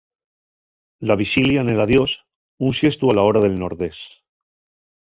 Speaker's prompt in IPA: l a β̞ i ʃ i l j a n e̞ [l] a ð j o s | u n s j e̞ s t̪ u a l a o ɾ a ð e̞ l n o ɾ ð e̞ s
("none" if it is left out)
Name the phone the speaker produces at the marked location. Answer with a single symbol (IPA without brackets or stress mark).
l